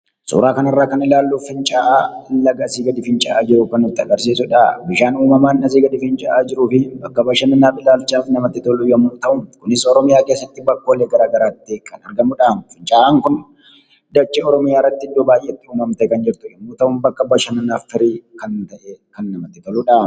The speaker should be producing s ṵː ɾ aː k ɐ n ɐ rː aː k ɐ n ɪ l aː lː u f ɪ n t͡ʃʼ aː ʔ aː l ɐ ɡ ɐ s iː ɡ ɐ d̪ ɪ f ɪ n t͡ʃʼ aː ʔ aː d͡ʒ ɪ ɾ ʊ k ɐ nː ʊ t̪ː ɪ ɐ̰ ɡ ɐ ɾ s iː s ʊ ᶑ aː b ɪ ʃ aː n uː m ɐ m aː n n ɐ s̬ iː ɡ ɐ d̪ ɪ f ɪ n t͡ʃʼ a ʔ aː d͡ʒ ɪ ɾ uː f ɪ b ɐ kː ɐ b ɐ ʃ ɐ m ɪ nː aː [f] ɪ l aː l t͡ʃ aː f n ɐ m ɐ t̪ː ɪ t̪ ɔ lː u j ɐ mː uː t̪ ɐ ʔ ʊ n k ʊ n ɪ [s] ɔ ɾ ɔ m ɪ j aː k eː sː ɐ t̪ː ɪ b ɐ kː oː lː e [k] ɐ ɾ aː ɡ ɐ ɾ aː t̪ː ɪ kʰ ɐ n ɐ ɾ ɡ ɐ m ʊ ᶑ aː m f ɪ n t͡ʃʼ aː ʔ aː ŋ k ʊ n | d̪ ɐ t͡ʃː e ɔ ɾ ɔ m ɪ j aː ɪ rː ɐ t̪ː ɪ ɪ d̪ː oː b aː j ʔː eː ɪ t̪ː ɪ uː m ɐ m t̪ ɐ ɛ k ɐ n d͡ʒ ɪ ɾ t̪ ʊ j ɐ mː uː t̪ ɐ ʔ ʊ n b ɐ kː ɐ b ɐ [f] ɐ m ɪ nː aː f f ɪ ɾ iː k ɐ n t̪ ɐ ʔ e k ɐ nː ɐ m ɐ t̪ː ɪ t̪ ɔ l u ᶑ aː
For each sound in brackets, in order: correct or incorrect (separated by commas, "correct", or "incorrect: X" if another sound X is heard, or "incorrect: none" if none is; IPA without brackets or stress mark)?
correct, correct, incorrect: ɡ, incorrect: ʃ